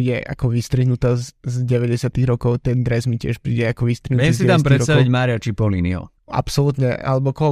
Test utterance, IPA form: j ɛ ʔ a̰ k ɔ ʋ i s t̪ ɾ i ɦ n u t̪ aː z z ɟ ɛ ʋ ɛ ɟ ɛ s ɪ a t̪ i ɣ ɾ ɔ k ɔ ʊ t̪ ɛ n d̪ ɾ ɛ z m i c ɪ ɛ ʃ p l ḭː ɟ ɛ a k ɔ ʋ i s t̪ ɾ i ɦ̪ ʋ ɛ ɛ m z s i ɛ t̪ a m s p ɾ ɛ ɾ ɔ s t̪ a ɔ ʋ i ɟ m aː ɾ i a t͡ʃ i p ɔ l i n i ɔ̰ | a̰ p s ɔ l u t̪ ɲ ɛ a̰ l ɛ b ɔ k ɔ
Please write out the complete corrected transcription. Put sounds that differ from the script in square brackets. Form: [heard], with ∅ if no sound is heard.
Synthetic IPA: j ɛ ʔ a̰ k ɔ ʋ i s t̪ ɾ i ɦ n u t̪ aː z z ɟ ɛ ʋ ɛ ɟ ɛ s ɪ a t̪ i ɣ ɾ ɔ k ɔ ʊ t̪ ɛ n d̪ ɾ ɛ z m i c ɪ ɛ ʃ p [ɾ] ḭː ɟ ɛ a k ɔ ʋ i s t̪ ɾ i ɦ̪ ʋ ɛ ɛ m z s i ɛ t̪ a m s p ɾ ɛ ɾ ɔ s t̪ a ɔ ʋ i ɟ m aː ɾ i a t͡ʃ i p ɔ l i n i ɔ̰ | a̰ p s ɔ l u t̪ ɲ ɛ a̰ l ɛ b ɔ k ɔ